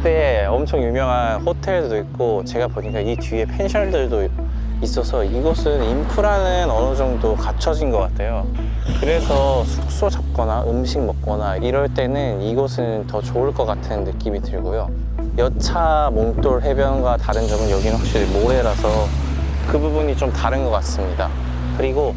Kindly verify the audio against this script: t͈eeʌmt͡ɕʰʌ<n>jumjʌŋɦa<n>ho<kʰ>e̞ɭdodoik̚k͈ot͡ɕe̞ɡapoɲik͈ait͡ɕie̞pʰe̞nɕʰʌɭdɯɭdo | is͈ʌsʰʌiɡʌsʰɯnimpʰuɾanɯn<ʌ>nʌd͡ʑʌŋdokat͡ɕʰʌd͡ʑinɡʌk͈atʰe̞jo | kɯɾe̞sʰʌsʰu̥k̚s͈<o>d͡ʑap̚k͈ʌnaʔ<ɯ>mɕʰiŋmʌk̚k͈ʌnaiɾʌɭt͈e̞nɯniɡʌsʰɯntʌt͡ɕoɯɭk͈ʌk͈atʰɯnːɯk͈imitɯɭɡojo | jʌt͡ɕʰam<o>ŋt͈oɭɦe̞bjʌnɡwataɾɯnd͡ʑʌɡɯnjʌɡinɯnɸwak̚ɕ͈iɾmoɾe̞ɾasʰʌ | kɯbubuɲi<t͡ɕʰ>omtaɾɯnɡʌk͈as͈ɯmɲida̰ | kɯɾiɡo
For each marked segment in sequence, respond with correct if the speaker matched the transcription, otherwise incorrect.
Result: incorrect: ŋ, correct, incorrect: tʰ, correct, correct, correct, correct, incorrect: t͡ɕ

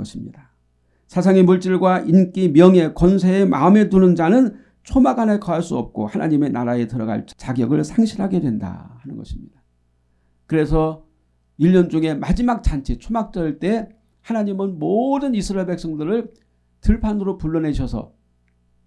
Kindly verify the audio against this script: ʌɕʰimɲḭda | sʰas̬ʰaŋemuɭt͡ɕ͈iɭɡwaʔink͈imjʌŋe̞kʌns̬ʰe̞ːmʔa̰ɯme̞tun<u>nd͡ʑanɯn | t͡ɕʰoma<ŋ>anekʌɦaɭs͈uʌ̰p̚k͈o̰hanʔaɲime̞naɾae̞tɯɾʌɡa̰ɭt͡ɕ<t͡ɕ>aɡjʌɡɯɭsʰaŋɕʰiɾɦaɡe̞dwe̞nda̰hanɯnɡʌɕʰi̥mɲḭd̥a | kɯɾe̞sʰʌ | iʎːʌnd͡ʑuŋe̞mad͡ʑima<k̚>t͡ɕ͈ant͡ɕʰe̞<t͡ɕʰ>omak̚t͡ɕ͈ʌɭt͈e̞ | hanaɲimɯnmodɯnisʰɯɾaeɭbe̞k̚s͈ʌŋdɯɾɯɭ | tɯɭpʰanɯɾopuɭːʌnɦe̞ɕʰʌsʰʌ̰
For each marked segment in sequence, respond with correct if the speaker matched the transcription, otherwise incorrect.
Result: incorrect: ɯ, incorrect: ɡ, correct, correct, correct

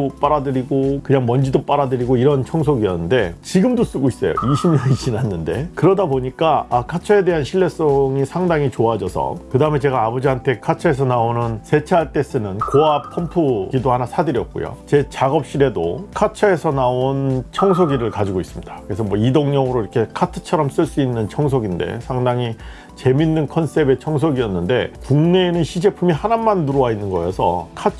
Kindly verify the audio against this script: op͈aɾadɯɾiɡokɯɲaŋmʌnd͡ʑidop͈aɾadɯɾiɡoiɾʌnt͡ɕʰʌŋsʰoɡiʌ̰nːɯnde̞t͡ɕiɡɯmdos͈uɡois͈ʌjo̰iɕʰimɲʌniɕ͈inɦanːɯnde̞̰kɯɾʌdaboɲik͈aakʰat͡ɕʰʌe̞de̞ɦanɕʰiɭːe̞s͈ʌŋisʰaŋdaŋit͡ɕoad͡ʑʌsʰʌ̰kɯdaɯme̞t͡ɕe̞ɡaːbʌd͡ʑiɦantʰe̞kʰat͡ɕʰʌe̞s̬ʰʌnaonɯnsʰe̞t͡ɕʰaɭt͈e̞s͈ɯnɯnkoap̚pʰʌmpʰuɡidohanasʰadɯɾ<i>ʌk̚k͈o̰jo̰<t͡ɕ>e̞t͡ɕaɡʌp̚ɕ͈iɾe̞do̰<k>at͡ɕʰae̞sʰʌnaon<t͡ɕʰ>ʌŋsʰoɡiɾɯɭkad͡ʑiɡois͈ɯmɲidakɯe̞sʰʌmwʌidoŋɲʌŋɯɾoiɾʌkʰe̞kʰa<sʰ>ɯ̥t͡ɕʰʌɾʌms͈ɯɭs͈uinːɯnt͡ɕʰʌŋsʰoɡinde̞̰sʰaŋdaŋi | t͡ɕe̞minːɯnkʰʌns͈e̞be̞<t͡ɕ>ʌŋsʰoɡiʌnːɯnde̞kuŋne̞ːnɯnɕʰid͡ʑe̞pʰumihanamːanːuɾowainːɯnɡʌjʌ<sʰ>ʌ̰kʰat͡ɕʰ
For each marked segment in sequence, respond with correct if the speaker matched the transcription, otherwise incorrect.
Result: incorrect: j, correct, incorrect: kʰ, correct, incorrect: tʰ, incorrect: t͡ɕʰ, correct

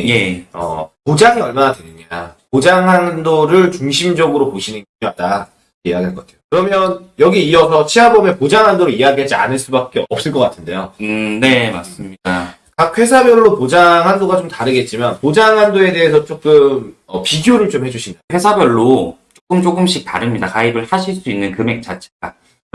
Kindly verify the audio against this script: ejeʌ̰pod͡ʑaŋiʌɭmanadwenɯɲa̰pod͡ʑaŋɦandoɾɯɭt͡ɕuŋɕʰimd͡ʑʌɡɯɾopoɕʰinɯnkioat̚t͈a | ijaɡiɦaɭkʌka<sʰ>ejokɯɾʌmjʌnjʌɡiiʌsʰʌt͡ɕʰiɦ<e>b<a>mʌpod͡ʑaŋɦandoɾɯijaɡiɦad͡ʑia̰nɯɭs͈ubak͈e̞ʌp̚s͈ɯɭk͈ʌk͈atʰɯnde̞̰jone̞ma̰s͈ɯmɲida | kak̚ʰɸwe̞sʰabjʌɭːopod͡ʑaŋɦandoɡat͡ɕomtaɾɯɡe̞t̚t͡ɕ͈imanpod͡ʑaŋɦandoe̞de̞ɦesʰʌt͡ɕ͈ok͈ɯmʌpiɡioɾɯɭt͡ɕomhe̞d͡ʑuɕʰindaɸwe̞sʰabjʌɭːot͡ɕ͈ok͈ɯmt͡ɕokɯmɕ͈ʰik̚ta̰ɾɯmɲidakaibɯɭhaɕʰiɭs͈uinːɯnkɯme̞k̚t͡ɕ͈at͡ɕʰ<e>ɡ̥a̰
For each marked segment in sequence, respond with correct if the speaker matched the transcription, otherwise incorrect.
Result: incorrect: tʰ, incorrect: a, incorrect: ʌ, correct

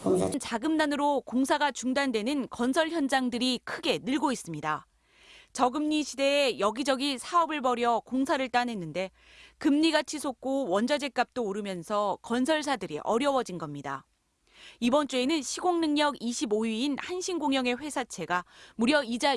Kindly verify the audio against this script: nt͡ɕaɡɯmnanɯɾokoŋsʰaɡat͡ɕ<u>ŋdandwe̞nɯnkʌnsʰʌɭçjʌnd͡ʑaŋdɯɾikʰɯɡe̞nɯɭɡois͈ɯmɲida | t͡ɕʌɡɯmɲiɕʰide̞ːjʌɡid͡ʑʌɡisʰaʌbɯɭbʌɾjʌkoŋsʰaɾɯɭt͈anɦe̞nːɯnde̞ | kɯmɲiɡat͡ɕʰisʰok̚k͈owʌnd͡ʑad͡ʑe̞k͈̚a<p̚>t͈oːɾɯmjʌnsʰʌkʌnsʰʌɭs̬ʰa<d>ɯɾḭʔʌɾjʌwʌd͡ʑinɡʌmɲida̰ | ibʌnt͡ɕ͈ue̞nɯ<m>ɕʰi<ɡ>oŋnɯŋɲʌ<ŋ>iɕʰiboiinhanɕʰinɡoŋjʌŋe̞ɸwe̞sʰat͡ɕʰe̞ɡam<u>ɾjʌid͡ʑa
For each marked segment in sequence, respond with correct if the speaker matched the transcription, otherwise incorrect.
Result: correct, correct, correct, incorrect: n, correct, incorrect: ɡ, correct

